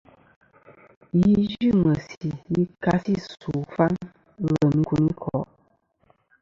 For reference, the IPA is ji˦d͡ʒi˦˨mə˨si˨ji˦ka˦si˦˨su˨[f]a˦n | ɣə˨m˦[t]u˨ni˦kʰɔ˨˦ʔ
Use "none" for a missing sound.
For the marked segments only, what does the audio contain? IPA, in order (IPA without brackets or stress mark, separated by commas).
f, k